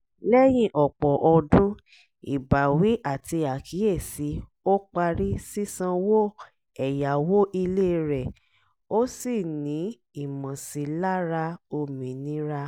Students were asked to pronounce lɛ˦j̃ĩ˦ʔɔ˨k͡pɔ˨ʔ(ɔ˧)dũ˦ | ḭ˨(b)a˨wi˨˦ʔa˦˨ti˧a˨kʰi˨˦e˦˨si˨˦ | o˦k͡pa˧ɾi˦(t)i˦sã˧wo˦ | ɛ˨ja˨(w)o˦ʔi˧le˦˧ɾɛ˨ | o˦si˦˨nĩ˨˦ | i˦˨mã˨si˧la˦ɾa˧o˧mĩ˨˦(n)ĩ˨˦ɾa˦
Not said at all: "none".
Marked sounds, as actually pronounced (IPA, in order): ɔ˧, b, s, w, n

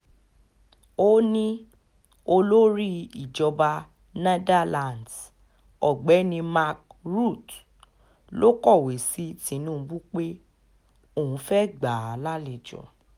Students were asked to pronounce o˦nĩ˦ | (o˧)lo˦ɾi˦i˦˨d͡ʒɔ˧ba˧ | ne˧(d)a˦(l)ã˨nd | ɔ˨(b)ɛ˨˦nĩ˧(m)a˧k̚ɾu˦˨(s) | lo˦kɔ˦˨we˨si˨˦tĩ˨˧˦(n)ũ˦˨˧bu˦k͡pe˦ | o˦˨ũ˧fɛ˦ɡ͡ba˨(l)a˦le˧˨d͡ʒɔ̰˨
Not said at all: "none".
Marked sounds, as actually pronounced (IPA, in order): o˧, d, l, ɡ͡b, m, t, n, l

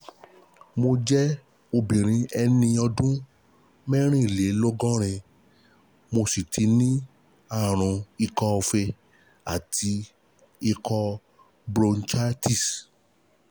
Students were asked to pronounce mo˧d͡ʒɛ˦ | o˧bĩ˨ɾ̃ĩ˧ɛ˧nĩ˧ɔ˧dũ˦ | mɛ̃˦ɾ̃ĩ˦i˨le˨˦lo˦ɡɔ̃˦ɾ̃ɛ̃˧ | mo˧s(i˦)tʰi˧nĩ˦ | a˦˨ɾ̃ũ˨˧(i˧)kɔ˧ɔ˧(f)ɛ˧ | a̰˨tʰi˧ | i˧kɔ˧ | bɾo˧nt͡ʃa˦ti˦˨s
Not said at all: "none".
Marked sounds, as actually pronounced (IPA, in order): i˨, i˧, f

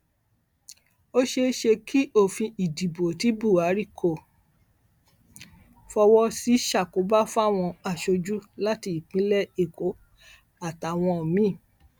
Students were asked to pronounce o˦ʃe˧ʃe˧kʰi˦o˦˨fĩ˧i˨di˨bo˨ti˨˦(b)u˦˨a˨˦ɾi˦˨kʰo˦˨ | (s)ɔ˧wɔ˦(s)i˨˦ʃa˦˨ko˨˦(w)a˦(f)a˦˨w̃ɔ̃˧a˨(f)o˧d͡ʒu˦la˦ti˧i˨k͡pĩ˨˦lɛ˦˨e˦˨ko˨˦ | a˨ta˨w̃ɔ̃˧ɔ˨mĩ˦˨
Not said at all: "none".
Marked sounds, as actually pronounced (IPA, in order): b, f, s, b, f, ʃ

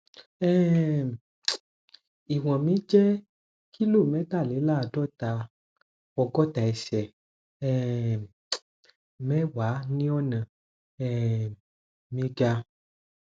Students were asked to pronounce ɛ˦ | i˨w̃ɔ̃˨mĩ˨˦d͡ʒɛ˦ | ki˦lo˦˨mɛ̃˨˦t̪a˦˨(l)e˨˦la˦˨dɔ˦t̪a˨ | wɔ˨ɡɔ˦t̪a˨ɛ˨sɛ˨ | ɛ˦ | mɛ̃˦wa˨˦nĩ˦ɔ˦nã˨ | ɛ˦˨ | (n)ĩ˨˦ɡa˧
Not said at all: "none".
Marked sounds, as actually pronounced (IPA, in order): l, m

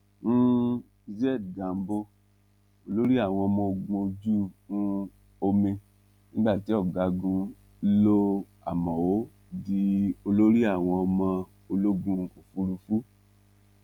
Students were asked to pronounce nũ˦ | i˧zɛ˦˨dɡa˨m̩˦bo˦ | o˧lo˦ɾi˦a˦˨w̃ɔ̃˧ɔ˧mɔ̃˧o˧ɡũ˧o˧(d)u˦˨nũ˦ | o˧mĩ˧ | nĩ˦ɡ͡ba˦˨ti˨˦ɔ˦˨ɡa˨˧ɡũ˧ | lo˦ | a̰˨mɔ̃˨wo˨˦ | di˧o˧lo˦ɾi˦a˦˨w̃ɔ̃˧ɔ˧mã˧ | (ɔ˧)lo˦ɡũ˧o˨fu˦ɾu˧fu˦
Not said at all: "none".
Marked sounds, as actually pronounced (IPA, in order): d͡ʒ, o˧

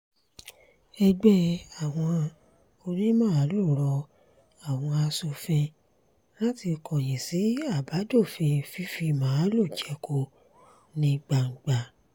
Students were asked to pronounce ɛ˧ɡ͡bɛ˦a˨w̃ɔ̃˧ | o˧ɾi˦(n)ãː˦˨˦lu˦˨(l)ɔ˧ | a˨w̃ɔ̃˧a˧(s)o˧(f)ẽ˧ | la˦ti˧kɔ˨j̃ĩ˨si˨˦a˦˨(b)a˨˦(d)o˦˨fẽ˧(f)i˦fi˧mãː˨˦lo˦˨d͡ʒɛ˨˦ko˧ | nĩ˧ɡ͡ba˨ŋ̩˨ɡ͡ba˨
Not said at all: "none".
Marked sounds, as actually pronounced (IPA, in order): m, ɾ, s, f, b, d, f

